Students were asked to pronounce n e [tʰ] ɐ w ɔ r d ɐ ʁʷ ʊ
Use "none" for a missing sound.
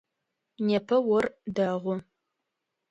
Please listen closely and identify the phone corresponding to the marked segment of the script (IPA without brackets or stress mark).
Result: pʰ